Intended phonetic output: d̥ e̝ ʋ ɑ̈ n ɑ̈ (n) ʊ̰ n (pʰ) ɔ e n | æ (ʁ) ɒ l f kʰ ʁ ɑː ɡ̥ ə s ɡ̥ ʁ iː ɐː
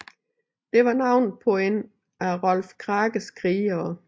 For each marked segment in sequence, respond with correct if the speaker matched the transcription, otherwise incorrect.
incorrect, correct, correct

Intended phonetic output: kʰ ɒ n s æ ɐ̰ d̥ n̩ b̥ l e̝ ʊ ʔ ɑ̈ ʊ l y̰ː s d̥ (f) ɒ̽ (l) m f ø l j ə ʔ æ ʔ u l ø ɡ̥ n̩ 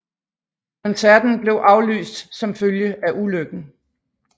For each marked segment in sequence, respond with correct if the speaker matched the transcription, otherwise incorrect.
incorrect, incorrect

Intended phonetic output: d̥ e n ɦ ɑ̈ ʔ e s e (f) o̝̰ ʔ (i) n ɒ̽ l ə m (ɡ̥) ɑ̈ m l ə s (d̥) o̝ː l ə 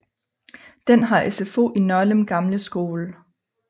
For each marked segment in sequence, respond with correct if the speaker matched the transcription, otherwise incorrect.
correct, correct, correct, incorrect

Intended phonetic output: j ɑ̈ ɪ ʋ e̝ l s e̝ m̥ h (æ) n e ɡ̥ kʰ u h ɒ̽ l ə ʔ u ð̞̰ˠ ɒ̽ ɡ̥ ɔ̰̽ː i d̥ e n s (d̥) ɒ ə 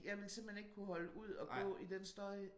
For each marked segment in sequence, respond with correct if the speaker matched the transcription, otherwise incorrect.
incorrect, correct

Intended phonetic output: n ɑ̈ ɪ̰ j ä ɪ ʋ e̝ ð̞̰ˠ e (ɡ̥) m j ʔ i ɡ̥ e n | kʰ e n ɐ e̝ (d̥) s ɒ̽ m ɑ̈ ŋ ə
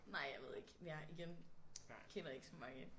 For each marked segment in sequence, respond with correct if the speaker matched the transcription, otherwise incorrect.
correct, incorrect

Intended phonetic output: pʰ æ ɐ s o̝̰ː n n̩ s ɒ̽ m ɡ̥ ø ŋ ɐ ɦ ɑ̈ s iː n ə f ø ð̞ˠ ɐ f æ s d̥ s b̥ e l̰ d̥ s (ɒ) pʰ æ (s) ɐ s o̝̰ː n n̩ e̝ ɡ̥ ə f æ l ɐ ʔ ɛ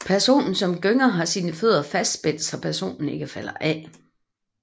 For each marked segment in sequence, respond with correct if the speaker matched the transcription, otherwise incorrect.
correct, incorrect

